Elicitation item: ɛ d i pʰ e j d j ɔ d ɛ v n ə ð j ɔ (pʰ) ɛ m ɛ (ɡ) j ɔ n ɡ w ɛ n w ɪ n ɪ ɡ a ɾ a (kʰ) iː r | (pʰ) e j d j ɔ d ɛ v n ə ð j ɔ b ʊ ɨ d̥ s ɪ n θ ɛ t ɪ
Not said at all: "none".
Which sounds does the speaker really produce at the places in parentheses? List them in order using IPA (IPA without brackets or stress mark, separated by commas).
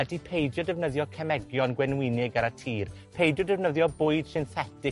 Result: kʰ, ɡ, tʰ, pʰ